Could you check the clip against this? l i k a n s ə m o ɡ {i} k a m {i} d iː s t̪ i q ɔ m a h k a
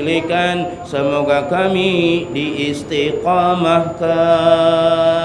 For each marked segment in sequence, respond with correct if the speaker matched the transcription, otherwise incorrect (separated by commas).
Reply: incorrect, correct